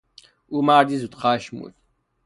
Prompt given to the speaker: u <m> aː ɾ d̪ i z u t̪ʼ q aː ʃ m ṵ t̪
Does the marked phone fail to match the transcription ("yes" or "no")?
no